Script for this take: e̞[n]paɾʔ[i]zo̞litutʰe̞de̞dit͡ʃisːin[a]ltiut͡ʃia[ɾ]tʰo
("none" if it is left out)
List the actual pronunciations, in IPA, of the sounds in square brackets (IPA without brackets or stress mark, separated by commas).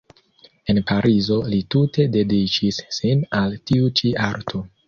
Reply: n, i, a, ɾ